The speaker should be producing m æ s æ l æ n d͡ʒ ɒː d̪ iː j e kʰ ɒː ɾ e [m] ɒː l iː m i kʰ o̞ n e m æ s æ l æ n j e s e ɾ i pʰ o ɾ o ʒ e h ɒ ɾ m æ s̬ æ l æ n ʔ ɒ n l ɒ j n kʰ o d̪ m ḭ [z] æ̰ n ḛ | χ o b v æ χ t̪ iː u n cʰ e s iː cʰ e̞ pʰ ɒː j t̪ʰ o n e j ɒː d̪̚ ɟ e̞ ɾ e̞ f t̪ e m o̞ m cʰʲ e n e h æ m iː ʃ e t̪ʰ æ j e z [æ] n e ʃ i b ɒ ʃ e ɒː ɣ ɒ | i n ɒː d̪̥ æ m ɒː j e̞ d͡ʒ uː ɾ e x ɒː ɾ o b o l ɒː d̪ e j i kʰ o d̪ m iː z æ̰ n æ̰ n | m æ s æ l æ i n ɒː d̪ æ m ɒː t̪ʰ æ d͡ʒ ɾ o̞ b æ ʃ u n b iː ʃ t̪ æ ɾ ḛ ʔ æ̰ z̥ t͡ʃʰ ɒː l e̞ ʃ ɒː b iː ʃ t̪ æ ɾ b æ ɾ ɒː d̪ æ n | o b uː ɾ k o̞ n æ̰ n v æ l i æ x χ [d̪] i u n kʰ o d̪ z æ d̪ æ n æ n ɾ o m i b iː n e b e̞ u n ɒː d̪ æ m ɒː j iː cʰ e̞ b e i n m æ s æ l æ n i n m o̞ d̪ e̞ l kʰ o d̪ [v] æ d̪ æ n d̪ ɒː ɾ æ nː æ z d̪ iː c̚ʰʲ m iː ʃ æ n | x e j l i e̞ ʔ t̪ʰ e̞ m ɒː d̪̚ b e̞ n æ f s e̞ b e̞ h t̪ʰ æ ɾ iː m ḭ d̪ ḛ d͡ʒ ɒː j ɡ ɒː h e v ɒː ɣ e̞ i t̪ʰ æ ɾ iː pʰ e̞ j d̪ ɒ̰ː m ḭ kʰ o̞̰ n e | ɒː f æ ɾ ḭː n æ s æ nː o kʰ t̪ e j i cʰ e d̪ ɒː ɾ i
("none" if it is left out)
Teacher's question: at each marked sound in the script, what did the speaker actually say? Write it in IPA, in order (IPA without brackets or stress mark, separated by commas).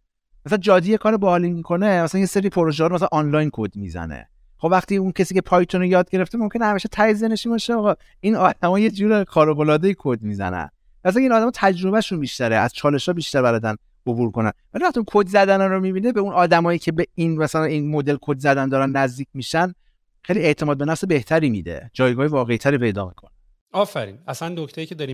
b, z, e, t̪, z